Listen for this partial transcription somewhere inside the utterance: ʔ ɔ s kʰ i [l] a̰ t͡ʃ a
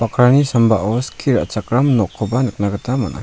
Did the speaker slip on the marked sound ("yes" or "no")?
yes